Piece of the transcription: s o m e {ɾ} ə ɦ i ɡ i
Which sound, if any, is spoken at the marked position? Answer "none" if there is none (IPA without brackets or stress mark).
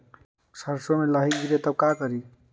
l